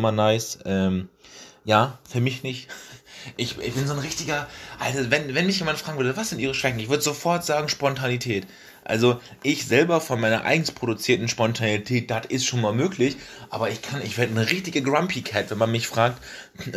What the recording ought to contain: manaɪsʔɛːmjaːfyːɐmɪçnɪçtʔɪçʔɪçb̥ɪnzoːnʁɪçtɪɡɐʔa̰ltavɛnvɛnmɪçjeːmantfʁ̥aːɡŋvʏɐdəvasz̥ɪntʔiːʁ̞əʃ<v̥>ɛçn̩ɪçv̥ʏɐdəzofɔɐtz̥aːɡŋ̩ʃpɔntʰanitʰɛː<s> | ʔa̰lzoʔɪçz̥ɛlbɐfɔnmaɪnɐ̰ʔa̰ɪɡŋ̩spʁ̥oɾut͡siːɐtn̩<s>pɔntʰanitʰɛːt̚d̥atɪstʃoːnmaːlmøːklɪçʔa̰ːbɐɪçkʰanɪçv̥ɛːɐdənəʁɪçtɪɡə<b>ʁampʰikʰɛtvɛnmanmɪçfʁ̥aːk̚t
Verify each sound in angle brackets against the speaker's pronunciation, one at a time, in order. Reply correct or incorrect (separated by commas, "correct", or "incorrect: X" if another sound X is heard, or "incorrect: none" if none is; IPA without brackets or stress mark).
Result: correct, incorrect: t, incorrect: ʃ, incorrect: ɡ